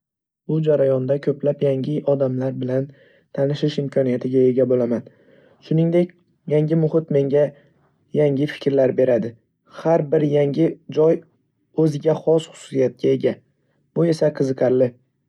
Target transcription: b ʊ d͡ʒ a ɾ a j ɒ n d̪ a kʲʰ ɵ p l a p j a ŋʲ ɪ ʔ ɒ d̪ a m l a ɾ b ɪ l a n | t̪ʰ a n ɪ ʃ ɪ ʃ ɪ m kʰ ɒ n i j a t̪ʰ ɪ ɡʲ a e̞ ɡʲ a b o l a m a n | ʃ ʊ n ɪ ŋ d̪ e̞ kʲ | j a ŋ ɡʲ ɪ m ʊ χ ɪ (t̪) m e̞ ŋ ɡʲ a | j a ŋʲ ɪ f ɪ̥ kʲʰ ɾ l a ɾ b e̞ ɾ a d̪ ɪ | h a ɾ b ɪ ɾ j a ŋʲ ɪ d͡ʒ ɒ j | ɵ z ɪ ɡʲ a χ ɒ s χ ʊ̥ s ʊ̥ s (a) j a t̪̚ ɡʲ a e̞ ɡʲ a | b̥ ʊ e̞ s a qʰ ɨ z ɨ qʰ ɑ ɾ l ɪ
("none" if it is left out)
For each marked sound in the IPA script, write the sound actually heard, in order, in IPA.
t̪, i

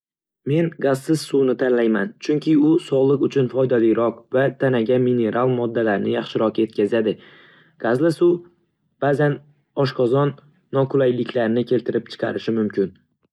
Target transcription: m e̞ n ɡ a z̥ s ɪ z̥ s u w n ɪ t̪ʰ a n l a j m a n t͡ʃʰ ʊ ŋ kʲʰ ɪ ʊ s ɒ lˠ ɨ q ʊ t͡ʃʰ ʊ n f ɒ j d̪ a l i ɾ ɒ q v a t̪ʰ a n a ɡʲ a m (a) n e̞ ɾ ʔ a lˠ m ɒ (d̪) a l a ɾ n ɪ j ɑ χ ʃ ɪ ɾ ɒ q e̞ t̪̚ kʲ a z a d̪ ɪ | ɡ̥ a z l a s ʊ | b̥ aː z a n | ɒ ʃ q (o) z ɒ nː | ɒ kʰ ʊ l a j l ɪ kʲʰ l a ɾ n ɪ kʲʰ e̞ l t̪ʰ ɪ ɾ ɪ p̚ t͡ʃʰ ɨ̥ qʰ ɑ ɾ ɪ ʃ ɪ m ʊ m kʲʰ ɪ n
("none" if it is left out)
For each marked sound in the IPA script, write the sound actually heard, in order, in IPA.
i, d̪ː, ɒ

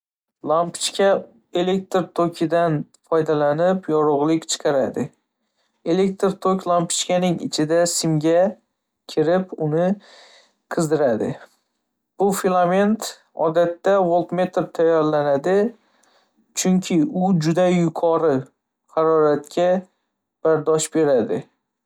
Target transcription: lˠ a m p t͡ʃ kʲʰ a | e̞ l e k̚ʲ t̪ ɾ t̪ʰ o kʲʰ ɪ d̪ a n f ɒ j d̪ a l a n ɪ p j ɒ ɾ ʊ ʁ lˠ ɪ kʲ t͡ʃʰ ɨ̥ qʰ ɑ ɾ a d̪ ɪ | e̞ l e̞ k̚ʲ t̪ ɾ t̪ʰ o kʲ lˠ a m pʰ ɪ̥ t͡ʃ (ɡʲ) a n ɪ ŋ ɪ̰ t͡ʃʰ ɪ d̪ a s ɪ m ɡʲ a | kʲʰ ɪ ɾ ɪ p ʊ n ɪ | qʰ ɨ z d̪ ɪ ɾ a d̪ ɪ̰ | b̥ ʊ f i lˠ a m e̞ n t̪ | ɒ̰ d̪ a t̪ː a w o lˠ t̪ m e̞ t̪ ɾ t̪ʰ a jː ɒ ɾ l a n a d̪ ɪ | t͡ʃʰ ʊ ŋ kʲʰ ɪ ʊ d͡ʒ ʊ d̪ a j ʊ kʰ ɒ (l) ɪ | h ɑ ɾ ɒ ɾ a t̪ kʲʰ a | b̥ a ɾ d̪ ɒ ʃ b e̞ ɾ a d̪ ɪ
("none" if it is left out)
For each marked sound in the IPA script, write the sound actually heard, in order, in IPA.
kʲ, ɾ

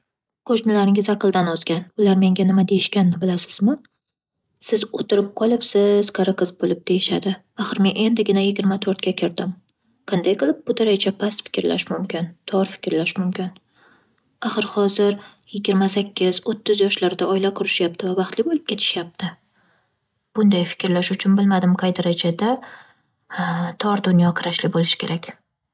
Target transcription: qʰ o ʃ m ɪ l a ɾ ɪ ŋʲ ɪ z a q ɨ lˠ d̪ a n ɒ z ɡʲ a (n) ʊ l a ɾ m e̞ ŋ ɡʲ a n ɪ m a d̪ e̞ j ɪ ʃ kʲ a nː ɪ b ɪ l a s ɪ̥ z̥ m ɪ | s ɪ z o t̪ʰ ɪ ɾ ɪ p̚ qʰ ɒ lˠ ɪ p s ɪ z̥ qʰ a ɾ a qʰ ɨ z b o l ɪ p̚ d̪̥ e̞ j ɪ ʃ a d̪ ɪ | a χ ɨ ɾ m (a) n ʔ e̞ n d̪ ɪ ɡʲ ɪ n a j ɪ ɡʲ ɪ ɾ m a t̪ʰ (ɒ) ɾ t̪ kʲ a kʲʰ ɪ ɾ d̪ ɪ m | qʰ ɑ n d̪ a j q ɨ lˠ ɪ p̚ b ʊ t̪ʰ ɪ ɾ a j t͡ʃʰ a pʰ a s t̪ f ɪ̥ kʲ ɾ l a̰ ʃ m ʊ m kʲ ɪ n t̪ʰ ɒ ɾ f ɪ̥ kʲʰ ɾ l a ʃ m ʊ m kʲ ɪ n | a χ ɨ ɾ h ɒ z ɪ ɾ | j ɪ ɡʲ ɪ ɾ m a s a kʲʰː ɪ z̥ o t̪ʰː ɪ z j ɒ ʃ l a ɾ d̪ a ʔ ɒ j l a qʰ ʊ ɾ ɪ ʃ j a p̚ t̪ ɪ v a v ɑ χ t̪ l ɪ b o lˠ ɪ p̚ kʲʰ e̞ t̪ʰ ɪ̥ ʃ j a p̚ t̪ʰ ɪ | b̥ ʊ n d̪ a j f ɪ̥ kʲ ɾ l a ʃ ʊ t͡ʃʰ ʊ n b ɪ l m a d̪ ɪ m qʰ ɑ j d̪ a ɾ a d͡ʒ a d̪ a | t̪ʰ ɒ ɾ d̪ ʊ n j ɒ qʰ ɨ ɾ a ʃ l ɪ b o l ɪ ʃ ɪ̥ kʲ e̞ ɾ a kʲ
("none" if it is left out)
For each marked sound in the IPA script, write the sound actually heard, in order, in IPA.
n, e, o

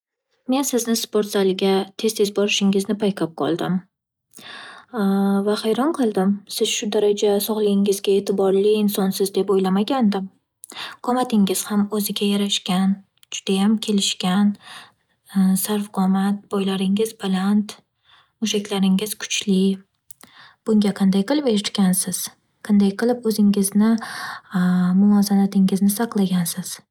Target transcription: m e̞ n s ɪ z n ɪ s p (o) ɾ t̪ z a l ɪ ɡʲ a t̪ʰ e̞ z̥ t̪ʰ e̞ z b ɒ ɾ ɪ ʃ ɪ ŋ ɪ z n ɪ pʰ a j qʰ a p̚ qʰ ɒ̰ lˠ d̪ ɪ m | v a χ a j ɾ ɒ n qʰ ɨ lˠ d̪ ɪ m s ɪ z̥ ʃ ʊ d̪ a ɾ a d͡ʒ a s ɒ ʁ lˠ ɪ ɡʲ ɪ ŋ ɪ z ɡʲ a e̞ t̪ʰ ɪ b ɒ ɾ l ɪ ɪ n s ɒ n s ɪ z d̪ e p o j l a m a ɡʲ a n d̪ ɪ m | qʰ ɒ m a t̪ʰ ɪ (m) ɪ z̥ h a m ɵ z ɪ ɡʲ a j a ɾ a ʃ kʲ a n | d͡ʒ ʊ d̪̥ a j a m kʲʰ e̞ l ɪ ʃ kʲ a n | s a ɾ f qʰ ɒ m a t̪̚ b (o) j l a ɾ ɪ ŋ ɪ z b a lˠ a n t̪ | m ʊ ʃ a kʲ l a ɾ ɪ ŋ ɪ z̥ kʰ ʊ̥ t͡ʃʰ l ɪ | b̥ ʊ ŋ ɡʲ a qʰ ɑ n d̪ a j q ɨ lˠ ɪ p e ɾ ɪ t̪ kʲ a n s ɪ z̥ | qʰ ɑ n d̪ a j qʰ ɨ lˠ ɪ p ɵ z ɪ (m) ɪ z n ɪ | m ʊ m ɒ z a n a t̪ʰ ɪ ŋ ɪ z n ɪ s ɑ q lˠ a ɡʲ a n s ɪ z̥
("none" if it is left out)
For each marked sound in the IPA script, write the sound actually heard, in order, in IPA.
o, ŋ, ɒ, ŋ

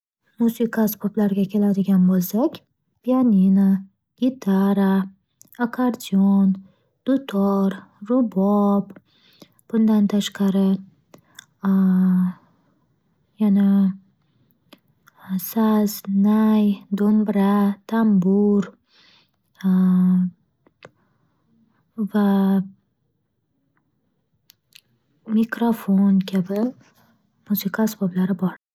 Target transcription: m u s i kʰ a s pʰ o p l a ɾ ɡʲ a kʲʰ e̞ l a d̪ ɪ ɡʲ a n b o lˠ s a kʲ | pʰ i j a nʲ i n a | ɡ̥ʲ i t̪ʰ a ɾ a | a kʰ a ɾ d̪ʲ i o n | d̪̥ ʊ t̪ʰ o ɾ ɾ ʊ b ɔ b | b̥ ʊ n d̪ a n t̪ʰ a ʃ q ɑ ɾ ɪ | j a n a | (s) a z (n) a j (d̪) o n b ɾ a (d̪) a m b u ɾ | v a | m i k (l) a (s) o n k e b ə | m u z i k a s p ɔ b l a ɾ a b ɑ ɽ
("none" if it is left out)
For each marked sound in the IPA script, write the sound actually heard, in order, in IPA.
s, n, d̪, t̪, ɾ, f

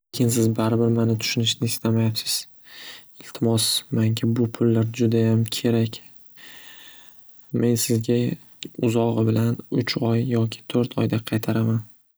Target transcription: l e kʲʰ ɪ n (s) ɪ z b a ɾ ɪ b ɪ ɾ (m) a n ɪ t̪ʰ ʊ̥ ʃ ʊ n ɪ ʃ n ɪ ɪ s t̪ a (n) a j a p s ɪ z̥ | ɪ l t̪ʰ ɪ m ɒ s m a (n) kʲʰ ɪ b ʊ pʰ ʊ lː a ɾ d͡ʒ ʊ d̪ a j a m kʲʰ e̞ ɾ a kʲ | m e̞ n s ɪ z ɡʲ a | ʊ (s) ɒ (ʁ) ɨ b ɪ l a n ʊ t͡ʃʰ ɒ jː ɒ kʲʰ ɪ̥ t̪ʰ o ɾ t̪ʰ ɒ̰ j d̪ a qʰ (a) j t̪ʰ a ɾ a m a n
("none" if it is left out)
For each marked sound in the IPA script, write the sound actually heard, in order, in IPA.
s, m, m, ŋ, z, ʁ, ɑ

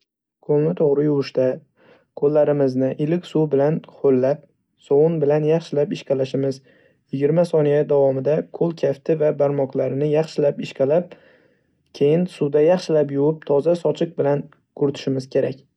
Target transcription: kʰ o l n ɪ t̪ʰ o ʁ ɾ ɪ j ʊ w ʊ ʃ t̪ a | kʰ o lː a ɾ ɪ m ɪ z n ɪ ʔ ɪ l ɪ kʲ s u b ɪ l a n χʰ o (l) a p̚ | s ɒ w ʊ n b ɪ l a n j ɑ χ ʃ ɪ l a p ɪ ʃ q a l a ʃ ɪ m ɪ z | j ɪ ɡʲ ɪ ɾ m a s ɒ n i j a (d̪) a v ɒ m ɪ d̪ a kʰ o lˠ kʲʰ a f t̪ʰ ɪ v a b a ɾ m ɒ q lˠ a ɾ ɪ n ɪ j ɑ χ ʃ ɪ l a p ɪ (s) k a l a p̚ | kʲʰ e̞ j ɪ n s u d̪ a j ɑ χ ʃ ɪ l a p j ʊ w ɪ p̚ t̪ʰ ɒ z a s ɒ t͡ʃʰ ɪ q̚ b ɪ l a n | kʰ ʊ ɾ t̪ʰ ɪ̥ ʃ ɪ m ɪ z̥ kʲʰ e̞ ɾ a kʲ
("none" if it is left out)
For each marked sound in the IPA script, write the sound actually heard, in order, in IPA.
lː, d̪, ʃ

